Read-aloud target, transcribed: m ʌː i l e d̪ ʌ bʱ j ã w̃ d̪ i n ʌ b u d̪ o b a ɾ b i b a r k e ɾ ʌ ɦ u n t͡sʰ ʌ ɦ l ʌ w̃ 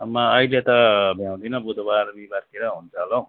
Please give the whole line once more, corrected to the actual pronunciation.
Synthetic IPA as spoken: m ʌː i l e t̪ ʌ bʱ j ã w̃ d̪ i n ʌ b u d̪ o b a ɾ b i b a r k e ɾ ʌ ɦ u n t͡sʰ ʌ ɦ l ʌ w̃